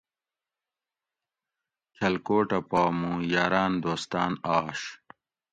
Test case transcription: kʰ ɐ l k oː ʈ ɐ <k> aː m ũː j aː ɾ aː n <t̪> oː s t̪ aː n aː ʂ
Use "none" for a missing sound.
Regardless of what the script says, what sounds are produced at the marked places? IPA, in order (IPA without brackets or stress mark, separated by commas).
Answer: p, d̪